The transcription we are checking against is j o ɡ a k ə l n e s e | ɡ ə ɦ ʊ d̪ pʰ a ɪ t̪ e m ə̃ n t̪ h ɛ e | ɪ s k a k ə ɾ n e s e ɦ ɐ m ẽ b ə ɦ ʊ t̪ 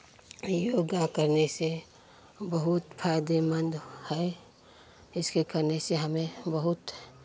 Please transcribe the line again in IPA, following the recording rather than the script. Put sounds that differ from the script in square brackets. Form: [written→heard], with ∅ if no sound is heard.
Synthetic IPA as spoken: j o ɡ a k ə [l→ɾ] n e s e | [ɡ→b] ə ɦ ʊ [d̪→t̪] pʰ a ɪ [t̪→d̪] e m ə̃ n [t̪→d̪] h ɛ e | ɪ s k [a→e] k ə ɾ n e s e ɦ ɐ m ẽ b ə ɦ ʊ t̪